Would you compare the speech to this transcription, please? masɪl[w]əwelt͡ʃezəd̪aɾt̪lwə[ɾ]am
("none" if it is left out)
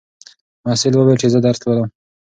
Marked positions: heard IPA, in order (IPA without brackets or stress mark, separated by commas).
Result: w, l